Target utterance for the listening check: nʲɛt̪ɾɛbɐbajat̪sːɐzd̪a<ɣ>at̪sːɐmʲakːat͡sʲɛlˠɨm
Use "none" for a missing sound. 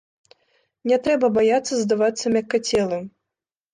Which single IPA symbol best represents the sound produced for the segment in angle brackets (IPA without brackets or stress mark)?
v